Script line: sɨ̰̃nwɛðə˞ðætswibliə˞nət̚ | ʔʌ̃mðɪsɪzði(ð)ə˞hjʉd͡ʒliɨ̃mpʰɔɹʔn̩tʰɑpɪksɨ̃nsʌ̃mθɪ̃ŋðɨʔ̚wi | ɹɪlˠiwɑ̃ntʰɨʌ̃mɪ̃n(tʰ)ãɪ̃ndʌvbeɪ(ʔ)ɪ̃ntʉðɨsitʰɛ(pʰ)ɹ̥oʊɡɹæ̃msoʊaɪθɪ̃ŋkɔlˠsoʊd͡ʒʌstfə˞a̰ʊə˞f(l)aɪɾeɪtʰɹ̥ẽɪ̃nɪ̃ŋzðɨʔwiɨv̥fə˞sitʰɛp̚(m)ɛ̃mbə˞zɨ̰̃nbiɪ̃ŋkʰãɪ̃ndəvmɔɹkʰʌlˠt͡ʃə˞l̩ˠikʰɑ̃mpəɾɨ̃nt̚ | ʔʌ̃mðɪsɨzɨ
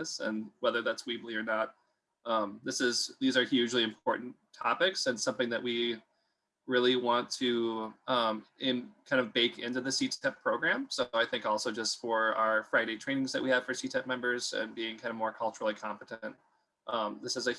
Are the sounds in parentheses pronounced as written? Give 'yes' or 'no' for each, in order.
no, no, no, yes, no, yes

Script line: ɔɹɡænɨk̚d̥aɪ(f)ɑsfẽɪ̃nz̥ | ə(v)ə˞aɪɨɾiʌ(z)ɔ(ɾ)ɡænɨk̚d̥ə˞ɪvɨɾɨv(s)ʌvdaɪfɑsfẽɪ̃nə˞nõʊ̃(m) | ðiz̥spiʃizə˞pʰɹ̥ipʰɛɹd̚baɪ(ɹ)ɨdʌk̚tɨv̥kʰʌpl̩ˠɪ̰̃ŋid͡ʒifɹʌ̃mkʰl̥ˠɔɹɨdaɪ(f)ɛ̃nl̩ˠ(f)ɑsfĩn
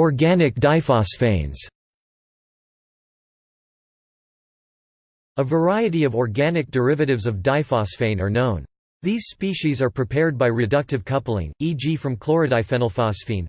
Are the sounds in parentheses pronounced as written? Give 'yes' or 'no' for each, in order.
yes, yes, no, no, no, no, yes, yes, yes

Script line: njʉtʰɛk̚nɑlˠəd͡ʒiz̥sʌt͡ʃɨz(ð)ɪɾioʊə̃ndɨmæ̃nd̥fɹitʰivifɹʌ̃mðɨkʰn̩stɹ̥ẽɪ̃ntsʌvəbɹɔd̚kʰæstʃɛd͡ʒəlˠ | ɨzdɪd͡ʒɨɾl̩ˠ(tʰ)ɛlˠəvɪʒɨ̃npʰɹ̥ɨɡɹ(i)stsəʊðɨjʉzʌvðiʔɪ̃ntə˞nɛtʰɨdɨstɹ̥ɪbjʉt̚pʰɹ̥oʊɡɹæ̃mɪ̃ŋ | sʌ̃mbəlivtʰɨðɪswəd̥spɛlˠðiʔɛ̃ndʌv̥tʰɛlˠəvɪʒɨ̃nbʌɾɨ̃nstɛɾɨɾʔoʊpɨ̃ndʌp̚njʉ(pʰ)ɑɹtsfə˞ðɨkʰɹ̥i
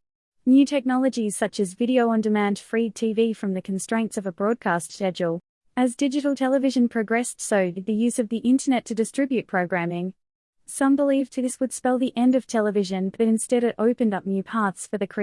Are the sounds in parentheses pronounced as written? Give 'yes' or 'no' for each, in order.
no, yes, no, yes

